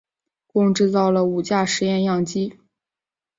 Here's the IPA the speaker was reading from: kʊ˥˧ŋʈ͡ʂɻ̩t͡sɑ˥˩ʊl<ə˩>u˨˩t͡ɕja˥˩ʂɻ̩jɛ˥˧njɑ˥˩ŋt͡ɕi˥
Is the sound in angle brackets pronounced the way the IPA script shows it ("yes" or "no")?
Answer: yes